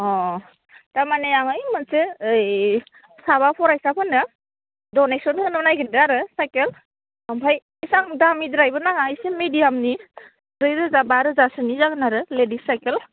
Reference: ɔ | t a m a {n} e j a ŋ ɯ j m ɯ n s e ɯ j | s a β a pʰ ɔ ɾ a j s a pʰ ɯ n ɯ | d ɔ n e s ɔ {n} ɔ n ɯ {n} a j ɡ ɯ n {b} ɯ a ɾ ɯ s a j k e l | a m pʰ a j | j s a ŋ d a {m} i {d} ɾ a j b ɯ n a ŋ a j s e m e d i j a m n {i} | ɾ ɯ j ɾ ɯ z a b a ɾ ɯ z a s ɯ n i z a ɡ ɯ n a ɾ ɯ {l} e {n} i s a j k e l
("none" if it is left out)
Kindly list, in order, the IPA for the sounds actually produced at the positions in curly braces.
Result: n, n, n, d, m, d, i, l, d

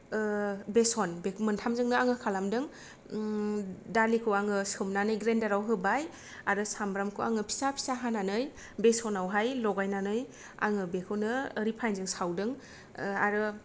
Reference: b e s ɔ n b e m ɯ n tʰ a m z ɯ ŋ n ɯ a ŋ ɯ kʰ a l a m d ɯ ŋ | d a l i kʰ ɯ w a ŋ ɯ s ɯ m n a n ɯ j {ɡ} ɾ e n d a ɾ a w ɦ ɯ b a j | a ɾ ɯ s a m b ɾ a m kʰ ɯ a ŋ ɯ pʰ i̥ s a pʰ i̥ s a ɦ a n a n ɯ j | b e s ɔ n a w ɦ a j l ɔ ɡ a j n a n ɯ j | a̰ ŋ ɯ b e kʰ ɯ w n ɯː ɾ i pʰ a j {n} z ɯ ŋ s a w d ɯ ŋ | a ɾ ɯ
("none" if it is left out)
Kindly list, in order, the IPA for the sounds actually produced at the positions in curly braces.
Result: ɡ, n

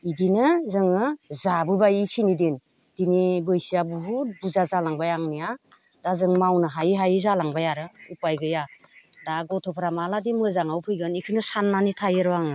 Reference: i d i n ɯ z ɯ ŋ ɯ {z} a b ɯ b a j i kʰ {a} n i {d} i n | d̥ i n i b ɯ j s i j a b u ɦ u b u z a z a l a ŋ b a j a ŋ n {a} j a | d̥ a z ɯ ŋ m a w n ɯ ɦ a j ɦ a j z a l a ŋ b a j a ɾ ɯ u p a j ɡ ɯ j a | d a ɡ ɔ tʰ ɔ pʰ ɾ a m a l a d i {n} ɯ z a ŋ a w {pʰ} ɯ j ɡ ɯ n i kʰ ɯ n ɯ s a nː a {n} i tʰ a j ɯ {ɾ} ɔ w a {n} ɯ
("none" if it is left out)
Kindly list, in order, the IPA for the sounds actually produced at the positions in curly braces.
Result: z, i, d, i, m, pʰ, n, ɾ, ŋ

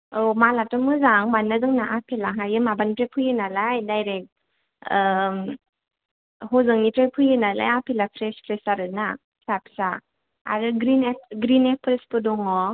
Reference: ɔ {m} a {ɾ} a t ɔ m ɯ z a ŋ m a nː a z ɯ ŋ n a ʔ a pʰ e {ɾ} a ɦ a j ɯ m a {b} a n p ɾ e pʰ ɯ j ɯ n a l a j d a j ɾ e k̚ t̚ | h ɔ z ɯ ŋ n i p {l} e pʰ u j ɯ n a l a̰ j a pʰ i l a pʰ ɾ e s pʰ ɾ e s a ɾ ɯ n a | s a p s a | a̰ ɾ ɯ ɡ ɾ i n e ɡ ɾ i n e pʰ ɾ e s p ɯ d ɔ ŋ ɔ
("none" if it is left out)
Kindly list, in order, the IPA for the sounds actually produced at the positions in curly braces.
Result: m, l, l, b, ɾ

